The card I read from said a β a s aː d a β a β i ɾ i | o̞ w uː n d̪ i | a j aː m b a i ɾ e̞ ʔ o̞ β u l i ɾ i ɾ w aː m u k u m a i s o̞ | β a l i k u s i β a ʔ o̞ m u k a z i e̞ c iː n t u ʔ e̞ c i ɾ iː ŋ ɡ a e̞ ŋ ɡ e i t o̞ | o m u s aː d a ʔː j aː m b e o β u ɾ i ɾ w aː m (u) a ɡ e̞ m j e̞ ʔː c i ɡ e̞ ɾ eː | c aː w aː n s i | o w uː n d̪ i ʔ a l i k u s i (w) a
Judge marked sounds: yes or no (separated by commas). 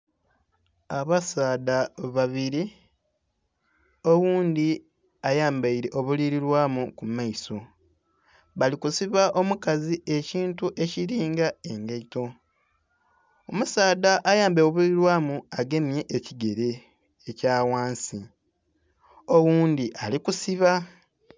yes, no